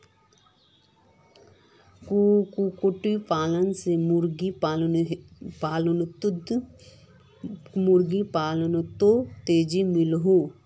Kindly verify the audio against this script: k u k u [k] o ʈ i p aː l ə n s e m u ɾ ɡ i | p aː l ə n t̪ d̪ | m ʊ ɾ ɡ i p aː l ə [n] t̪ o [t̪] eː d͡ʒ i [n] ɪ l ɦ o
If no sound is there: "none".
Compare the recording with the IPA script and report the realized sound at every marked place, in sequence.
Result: k, n, t̪, m

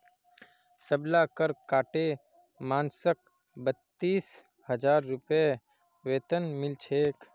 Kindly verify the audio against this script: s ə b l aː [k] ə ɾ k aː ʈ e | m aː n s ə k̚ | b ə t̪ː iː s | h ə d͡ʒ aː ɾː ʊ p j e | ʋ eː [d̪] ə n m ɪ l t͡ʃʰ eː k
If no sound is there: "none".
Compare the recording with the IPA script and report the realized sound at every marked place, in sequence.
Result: k, t̪

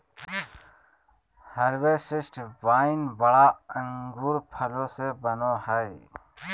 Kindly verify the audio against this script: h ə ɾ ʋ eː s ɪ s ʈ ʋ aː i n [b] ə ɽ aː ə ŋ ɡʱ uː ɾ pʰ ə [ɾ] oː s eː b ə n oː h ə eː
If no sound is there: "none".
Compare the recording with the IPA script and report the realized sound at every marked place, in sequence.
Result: b, l

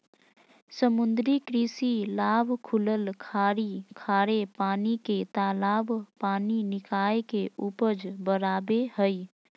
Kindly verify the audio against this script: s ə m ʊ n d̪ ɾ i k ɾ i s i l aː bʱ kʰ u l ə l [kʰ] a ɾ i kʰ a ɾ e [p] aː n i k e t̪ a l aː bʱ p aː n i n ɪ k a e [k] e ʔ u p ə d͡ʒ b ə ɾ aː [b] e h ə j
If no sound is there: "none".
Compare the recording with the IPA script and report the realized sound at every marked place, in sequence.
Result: kʰ, p, k, b

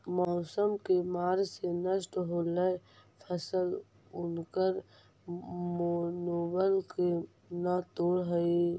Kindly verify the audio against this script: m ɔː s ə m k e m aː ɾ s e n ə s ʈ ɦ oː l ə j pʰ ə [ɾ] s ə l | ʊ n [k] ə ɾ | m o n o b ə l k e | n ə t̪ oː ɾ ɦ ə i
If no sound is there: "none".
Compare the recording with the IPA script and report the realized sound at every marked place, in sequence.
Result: none, k

